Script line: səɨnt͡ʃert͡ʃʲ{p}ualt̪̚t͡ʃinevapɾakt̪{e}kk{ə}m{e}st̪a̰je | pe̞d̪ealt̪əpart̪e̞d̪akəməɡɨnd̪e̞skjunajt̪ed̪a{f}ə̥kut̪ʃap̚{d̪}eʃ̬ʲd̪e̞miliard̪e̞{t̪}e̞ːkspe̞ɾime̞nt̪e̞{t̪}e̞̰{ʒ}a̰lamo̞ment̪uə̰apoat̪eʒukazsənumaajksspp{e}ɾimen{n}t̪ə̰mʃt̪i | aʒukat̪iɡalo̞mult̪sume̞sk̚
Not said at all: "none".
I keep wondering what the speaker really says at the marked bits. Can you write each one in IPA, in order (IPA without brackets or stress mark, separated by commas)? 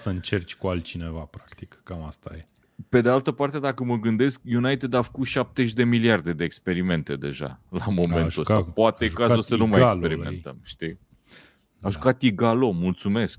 k, i, a, a, f, t̪, d̪, d̪, ʒ, e, n